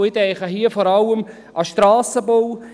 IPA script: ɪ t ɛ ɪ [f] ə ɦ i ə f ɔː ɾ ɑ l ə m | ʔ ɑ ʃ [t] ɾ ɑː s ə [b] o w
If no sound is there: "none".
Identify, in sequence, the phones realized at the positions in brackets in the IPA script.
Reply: χ, t, b

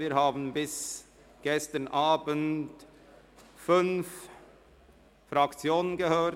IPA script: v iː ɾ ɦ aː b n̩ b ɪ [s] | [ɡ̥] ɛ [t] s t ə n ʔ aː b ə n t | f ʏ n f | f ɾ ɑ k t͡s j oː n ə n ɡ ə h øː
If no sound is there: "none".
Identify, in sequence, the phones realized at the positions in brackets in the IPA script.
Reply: s, ɡ̥, none

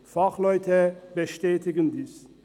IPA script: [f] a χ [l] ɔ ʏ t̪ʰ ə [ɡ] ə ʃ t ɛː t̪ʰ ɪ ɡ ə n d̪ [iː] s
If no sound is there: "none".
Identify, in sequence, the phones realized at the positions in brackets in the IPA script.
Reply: f, l, b, iː

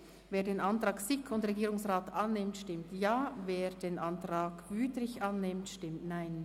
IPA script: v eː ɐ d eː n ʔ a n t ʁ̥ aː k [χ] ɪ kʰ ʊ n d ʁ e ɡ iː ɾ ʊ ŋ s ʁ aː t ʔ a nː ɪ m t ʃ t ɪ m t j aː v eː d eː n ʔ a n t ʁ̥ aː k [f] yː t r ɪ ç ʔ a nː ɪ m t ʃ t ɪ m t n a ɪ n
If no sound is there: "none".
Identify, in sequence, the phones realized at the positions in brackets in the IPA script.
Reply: s, v

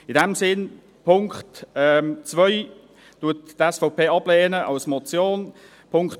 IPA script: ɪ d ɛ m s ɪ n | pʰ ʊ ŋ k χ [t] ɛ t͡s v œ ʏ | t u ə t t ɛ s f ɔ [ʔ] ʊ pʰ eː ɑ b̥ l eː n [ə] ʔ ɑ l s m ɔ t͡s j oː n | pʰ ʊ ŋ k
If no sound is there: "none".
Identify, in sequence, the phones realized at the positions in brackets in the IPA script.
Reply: t, none, ə

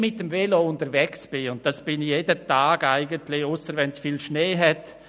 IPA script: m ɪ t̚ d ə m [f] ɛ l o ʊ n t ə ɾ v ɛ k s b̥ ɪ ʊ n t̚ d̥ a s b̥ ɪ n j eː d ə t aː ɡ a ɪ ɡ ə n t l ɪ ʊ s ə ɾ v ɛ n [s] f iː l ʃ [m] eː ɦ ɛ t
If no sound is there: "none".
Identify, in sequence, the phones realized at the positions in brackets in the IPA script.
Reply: v, s, n

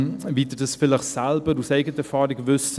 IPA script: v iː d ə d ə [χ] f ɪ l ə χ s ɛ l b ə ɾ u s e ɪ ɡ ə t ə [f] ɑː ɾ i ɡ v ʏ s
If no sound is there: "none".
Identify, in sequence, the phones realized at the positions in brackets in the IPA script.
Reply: s, f

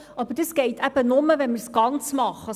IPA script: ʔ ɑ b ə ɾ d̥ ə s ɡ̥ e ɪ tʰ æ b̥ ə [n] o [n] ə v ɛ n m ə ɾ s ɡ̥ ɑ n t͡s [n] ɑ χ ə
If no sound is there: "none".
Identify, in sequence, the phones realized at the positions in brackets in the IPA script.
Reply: n, m, m

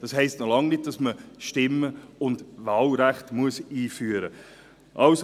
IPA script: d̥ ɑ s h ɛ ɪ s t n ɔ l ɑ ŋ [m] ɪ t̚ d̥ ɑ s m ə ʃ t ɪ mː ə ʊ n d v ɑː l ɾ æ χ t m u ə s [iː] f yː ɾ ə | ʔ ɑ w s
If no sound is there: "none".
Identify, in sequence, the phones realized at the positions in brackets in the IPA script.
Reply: n, iː

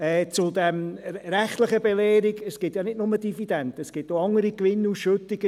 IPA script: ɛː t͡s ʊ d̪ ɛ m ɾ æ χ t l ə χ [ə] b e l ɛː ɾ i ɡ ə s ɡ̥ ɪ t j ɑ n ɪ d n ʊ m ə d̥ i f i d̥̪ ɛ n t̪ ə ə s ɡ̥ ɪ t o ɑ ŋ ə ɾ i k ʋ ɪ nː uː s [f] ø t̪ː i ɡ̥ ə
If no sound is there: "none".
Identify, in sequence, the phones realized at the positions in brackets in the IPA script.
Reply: ə, ʃ

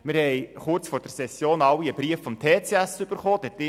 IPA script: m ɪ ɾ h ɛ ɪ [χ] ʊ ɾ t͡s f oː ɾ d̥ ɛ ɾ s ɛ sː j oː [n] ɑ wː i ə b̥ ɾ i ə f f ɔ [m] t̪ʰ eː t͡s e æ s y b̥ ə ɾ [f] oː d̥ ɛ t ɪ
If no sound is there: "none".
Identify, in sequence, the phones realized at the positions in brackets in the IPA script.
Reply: χ, n, m, χ

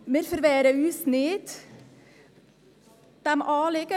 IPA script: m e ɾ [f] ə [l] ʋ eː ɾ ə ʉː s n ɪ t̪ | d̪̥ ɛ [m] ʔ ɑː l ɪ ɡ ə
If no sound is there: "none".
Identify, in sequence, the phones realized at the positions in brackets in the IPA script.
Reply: f, ɾ, m

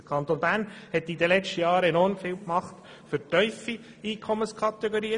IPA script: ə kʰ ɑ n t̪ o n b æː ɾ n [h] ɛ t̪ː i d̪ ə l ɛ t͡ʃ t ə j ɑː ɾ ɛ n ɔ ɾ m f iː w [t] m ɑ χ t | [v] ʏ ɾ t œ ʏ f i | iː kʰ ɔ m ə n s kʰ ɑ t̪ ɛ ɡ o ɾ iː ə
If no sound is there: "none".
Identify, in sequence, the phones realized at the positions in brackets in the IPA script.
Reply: h, k, f

